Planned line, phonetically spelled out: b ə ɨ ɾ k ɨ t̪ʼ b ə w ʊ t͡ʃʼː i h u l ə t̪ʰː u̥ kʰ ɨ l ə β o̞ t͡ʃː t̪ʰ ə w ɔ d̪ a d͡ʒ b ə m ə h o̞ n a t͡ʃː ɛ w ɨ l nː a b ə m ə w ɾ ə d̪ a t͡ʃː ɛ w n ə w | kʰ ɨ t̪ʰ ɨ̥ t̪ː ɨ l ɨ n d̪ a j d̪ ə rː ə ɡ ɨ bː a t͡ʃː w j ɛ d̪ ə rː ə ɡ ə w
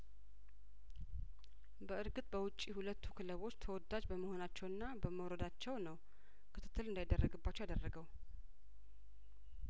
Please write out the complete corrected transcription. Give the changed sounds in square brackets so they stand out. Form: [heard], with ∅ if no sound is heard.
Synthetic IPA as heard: b ə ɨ ɾ [ɡ] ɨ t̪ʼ b ə w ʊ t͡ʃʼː i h u l ə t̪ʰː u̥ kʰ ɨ l ə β o̞ t͡ʃː t̪ʰ ə w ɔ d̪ a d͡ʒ b ə m ə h o̞ n a t͡ʃː ɛ w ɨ [∅] nː a b ə m ə w ɾ ə d̪ a t͡ʃː ɛ w n ə w | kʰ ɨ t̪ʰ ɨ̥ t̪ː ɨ l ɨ n d̪ a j d̪ ə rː ə ɡ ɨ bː a t͡ʃː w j [a] d̪ ə rː ə ɡ ə w